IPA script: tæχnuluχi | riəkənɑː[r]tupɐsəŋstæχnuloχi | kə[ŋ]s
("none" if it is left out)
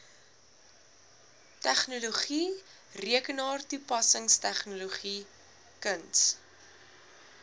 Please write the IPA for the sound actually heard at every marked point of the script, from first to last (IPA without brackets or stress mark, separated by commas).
r, n